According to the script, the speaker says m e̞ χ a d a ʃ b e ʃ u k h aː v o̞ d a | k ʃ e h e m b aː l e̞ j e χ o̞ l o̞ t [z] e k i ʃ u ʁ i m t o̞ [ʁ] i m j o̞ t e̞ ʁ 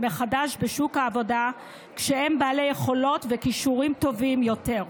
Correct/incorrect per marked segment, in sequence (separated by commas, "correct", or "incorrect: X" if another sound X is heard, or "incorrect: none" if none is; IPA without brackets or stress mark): incorrect: v, incorrect: v